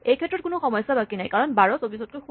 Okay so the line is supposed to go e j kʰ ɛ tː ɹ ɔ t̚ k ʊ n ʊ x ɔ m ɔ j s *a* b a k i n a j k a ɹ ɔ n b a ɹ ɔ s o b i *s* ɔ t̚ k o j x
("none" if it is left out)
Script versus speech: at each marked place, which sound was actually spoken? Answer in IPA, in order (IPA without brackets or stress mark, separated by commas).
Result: a, s